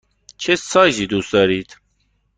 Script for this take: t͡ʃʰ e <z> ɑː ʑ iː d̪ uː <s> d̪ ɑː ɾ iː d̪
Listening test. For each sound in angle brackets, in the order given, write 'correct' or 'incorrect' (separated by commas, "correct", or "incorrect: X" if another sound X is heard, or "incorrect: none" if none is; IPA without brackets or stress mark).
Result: incorrect: s, correct